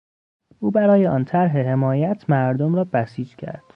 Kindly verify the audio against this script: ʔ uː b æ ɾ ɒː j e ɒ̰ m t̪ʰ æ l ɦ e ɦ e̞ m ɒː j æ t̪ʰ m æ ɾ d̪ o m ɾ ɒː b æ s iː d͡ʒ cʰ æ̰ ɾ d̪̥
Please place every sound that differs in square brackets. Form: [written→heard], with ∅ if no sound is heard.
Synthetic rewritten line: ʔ uː b æ ɾ ɒː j e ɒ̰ [m→n] t̪ʰ æ [l→ɾ] ɦ e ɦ e̞ m ɒː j æ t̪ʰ m æ ɾ d̪ o m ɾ ɒː b æ s iː d͡ʒ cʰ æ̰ ɾ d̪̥